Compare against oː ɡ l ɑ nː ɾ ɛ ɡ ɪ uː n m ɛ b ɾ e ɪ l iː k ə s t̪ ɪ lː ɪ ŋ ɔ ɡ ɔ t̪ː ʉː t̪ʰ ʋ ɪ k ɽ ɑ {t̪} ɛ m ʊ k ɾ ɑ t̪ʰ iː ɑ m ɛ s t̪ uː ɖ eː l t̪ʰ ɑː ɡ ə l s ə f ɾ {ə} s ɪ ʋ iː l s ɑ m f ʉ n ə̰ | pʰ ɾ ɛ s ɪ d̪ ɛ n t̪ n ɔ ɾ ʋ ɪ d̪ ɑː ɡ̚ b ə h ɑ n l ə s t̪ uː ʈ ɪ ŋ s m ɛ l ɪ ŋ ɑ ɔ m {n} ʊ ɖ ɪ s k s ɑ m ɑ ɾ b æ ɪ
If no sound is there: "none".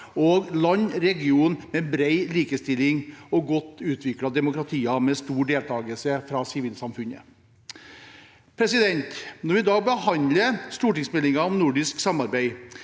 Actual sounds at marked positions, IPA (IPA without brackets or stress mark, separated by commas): d̪, ɑ, n